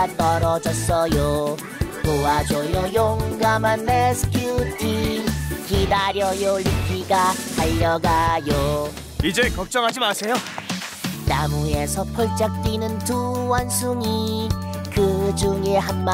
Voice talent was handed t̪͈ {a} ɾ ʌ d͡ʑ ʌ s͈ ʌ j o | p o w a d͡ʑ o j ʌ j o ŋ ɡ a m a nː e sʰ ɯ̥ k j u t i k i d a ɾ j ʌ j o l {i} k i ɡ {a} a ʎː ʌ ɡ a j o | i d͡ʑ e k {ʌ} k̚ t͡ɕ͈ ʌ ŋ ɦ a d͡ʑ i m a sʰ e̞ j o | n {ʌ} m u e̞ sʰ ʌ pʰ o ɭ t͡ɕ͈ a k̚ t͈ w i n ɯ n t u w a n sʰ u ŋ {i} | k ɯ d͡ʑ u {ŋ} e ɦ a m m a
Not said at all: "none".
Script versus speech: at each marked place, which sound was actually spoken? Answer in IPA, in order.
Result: ʌ, i, a, ʌ, a, i, ŋ

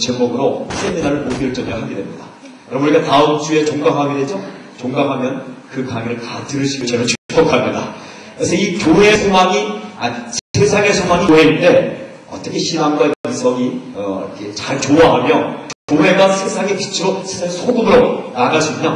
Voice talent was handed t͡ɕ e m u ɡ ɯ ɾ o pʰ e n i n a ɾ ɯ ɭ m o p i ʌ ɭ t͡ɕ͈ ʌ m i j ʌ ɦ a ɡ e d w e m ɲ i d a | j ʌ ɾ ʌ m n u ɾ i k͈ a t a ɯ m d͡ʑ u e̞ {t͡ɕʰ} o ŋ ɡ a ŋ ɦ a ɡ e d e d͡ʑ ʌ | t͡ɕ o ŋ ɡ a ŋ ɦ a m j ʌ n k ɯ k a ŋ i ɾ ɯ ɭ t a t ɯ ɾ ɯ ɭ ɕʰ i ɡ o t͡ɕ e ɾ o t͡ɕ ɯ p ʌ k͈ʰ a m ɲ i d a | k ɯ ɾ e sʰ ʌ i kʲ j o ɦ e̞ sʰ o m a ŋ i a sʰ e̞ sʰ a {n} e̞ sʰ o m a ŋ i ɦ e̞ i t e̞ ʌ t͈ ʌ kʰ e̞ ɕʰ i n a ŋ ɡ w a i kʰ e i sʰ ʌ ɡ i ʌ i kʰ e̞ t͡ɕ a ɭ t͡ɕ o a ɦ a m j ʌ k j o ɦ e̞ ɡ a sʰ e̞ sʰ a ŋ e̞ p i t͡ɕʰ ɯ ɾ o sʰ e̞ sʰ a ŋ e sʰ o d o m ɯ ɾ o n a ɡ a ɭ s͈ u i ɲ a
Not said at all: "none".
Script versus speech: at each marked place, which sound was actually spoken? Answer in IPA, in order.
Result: t͡ɕ, ŋ

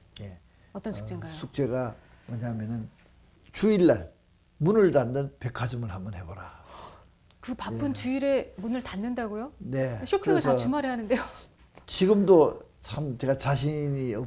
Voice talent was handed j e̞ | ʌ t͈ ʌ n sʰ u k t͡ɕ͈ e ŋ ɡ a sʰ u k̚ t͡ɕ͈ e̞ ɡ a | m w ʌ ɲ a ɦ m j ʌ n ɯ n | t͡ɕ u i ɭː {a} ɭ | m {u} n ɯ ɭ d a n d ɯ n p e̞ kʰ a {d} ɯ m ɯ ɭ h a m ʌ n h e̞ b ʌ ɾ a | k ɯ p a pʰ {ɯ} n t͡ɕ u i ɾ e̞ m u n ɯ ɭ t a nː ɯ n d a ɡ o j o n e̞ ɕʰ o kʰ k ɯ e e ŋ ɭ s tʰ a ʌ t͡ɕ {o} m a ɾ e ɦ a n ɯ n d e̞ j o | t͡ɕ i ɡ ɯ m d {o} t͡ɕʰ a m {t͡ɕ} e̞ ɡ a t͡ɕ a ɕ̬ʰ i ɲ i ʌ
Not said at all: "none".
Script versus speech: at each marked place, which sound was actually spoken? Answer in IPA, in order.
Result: a, u, d͡ʑ, ɯ, u, o, t͡ɕ

